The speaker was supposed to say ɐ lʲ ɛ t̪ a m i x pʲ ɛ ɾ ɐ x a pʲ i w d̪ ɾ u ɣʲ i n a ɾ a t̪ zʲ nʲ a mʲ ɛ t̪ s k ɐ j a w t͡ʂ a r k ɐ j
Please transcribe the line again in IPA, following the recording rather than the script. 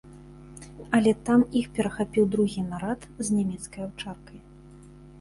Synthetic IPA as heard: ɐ lʲ ɛ t̪ a m i x pʲ ɛ ɾ ɐ x a pʲ i w d̪ ɾ u ɣʲ i n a ɾ a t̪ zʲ nʲ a mʲ ɛ t̪ s k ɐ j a w t͡ʂ a r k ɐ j